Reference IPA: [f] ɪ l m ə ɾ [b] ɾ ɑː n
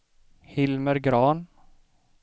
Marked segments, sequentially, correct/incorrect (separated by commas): incorrect, incorrect